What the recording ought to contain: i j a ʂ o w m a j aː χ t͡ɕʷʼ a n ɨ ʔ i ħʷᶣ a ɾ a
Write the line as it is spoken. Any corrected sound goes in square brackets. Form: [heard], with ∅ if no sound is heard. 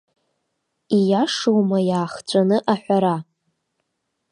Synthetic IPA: i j a ʂ o w m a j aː χ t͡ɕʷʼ a n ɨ ʔ [a] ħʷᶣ a ɾ a